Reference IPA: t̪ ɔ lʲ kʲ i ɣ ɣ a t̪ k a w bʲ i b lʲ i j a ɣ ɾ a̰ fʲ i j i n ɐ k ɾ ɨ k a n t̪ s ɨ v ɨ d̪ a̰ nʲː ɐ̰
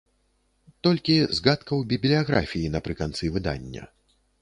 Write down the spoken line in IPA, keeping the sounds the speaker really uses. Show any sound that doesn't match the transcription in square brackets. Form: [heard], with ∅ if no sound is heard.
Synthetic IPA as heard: t̪ ɔ lʲ kʲ i [z] ɣ a t̪ k [ɐ] w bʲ i b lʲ i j a ɣ ɾ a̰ fʲ i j i n ɐ [p] ɾ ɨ k a n t̪ s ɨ v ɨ d̪ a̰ nʲː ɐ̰